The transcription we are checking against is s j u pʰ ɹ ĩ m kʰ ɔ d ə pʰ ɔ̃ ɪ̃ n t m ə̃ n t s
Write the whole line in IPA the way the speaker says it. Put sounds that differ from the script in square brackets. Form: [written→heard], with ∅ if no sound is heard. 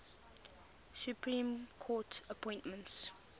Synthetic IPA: s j u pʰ ɹ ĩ m kʰ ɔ [d→t] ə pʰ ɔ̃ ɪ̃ n t m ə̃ n t s